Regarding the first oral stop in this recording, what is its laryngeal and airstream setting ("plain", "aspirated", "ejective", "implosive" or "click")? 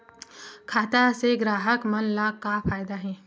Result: aspirated